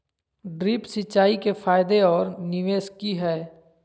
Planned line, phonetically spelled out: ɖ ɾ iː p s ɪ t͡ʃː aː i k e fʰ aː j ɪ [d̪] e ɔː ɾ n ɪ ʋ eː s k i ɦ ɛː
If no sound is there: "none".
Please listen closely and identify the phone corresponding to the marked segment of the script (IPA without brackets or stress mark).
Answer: d̪